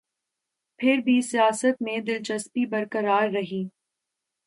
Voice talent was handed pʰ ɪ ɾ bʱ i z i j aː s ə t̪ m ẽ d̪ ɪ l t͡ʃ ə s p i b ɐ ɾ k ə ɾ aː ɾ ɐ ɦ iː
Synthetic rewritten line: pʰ ɪ ɾ bʱ i s i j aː s ə t̪ m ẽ d̪ ɪ l t͡ʃ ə s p i b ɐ ɾ k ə ɾ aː ɾː ɐ ɦ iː